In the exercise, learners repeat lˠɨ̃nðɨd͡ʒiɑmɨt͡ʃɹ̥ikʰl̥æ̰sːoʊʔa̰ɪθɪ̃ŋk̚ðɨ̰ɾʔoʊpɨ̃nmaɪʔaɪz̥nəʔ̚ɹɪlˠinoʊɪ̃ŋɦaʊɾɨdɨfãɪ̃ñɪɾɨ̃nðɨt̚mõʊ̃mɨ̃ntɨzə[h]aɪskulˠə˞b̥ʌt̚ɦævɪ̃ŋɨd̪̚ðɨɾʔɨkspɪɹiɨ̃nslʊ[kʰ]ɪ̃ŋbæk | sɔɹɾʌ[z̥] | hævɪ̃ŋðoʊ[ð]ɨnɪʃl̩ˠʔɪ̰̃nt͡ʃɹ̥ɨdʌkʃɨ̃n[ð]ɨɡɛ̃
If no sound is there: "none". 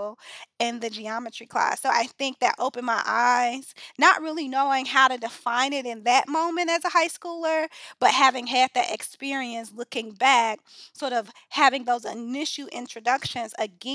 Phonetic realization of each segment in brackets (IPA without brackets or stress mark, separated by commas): h, k, v̥, z, z